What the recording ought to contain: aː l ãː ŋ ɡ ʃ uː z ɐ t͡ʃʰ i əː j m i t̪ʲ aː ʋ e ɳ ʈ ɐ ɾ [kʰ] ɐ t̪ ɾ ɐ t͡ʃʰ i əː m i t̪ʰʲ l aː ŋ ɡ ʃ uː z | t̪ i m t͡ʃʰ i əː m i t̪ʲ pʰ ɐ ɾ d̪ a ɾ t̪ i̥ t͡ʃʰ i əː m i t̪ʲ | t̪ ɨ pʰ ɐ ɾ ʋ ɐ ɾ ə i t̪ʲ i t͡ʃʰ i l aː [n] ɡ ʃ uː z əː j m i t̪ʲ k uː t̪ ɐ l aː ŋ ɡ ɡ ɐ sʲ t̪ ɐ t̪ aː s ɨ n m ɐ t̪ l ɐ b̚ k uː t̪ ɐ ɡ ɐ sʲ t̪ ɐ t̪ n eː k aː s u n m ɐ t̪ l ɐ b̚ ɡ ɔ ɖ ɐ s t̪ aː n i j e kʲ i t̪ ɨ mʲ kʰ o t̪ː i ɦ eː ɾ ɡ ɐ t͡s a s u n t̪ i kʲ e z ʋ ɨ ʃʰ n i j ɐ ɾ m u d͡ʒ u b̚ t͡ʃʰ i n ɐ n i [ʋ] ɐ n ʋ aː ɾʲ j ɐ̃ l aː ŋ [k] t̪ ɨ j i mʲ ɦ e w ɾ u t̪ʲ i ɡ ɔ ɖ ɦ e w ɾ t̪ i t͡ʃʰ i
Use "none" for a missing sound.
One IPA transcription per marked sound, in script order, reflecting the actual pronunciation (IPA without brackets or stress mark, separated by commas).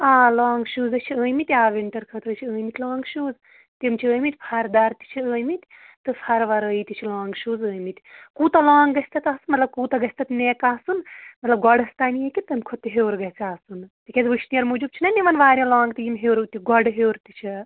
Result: kʰ, ŋ, ʋ, ɡ